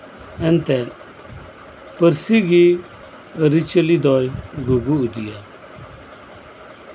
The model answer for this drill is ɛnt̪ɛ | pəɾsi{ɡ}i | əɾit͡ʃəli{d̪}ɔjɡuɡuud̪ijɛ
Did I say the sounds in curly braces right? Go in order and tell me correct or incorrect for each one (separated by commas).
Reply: correct, correct